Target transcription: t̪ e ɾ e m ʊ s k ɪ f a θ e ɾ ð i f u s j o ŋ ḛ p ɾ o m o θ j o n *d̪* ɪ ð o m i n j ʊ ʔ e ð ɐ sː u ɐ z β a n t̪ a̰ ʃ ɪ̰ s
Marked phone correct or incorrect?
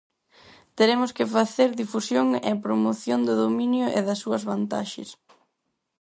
correct